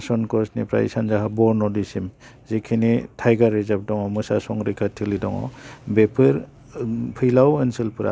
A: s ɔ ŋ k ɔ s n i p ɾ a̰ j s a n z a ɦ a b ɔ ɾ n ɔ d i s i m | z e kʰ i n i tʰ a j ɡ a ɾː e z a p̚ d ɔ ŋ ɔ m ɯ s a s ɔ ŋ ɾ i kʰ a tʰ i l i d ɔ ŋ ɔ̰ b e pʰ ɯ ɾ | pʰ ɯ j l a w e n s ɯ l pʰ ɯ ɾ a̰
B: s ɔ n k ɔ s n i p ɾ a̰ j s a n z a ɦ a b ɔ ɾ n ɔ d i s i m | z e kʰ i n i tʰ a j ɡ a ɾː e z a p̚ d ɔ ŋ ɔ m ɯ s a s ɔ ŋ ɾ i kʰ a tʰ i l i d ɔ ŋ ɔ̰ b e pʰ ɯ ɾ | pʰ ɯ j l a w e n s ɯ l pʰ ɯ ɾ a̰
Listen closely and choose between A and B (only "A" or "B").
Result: B